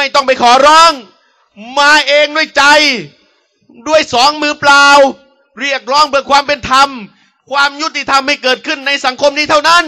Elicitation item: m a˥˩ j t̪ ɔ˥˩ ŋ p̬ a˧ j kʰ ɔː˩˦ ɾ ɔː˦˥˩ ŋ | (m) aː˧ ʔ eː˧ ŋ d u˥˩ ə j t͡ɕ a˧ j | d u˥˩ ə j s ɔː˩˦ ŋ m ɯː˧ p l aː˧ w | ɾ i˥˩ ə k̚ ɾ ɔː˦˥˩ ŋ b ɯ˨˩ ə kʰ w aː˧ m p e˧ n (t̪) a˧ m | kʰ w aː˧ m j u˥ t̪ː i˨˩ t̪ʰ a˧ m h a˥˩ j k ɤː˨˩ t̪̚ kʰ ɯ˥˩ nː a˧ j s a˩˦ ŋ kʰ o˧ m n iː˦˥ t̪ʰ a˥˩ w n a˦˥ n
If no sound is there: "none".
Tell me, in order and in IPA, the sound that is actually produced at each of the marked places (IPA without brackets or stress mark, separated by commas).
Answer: m, t̪ʰ